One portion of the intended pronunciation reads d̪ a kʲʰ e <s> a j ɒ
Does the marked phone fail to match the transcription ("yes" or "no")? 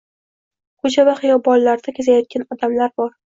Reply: yes